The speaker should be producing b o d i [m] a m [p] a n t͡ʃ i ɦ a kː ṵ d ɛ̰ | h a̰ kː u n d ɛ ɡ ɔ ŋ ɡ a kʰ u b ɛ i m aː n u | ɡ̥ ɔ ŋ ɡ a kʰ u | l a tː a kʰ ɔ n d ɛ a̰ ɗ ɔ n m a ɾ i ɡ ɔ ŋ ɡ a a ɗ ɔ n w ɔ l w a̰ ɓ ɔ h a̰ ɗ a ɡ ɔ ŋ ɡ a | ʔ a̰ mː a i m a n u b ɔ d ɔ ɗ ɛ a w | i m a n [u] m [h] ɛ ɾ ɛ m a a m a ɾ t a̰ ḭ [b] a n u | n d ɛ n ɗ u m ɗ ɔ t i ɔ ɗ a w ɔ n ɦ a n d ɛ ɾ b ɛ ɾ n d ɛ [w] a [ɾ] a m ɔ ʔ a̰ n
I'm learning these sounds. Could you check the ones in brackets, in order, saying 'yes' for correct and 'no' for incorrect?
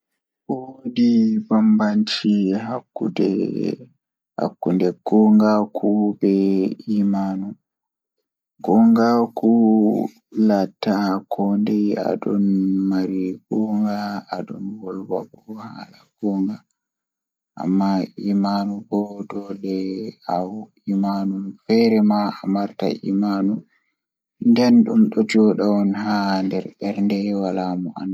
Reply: no, no, yes, no, no, yes, no

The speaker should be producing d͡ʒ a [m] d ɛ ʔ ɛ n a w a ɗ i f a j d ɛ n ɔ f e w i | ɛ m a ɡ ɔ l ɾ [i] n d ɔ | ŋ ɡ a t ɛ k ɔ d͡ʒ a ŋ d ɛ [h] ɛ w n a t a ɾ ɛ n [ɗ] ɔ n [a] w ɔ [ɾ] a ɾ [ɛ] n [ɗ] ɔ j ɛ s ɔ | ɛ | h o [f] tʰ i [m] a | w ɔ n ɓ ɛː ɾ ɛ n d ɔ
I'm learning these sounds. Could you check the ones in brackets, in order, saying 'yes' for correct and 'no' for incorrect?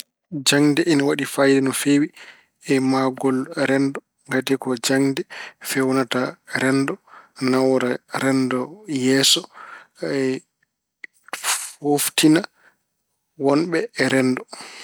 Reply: no, no, no, no, yes, yes, yes, no, yes, no

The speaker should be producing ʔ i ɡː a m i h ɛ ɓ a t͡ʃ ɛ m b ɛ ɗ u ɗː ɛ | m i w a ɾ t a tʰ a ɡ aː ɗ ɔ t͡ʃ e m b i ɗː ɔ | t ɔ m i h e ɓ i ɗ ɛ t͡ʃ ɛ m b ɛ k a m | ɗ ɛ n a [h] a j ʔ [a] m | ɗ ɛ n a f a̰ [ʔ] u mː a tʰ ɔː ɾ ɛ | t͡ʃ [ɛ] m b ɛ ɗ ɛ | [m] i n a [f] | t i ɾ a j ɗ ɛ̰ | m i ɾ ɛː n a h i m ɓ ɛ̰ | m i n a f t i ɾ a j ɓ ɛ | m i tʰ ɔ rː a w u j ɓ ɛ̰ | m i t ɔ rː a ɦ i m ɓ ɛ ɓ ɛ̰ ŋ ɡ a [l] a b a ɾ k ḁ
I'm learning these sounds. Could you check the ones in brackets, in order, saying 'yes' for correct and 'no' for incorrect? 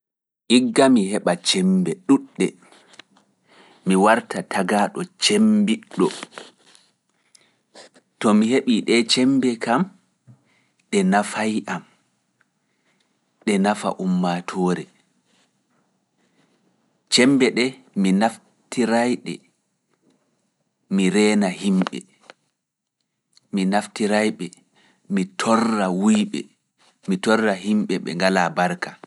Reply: no, yes, yes, yes, yes, yes, yes

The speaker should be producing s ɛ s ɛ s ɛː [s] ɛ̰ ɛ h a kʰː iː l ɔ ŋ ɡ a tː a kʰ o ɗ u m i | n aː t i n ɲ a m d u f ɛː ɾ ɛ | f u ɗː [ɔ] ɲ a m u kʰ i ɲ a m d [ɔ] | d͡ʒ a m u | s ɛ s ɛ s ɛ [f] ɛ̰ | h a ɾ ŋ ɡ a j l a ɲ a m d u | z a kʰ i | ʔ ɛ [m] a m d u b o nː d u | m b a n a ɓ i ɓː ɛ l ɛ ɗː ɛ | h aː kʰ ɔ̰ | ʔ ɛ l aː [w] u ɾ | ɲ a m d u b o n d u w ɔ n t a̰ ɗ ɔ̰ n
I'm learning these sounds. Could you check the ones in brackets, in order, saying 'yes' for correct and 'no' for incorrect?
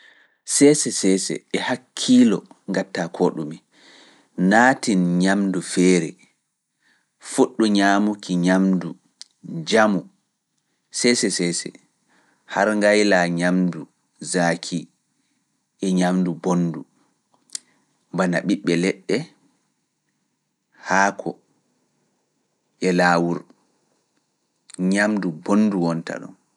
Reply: yes, no, no, no, no, yes

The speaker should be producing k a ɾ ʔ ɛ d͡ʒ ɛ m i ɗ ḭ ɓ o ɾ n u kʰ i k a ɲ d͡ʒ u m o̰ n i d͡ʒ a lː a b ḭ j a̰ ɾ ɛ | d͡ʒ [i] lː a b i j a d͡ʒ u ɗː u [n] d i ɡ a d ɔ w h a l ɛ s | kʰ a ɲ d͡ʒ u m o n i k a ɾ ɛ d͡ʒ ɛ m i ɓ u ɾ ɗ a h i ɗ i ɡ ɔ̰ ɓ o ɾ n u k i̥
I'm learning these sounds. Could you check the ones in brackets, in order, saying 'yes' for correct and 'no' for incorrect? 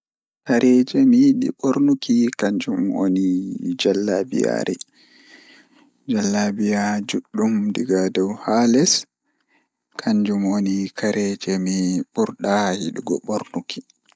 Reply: no, no

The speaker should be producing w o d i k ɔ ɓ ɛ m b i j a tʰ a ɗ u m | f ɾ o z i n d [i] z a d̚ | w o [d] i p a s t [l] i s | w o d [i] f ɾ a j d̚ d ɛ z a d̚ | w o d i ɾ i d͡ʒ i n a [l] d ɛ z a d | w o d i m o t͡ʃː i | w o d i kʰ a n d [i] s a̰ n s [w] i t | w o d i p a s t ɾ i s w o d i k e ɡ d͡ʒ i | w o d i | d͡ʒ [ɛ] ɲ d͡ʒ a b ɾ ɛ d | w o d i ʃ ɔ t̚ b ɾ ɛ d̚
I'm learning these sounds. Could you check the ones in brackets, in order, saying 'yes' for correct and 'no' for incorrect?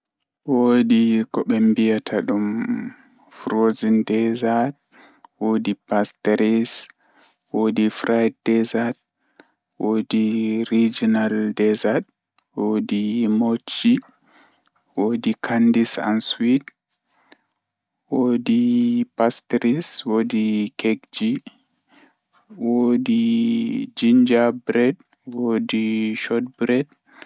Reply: no, yes, no, yes, yes, yes, yes, no

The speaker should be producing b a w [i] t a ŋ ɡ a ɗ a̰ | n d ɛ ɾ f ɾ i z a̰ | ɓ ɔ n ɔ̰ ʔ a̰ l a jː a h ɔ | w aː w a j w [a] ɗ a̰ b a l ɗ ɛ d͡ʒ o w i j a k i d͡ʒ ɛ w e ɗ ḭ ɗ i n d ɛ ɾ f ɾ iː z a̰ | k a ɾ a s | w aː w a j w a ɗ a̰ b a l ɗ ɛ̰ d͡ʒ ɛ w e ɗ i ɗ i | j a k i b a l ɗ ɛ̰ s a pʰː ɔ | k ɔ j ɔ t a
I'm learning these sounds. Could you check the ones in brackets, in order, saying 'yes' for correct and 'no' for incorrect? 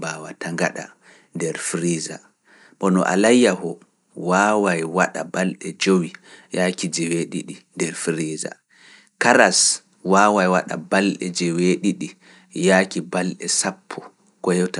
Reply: no, yes

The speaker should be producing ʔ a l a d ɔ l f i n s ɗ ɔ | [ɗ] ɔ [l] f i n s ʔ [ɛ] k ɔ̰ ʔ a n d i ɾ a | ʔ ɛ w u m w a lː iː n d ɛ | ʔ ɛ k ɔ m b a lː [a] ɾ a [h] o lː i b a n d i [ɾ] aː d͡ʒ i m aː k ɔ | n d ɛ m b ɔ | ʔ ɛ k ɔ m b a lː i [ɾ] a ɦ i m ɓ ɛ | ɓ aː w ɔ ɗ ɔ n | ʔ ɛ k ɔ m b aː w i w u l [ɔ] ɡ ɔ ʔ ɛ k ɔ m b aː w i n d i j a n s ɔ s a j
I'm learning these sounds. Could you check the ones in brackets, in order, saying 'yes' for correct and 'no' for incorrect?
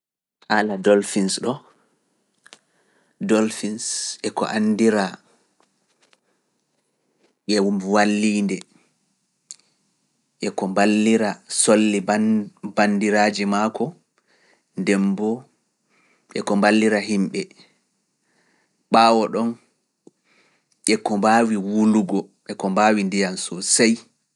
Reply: no, yes, yes, no, no, yes, yes, no

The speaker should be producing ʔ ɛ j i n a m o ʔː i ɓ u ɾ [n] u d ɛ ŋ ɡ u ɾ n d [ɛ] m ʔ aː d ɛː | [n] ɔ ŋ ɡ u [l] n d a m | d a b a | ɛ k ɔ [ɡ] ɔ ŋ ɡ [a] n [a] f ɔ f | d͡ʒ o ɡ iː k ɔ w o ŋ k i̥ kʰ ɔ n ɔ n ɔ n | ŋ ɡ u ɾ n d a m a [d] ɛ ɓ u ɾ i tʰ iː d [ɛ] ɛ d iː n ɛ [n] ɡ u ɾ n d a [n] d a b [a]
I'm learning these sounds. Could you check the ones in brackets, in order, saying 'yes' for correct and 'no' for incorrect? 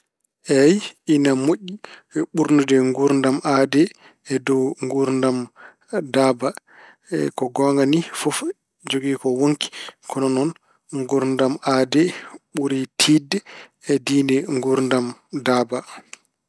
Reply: yes, no, no, no, yes, yes, no, yes, yes, no, no, yes

